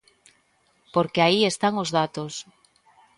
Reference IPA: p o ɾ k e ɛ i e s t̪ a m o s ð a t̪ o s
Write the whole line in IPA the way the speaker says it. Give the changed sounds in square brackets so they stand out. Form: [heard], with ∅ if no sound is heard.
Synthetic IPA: p o ɾ k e [a] i e s t̪ a [ŋ] o [z] ð a t̪ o s